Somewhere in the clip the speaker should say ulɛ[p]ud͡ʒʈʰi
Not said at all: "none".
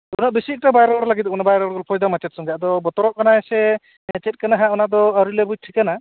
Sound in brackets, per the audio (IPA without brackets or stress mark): b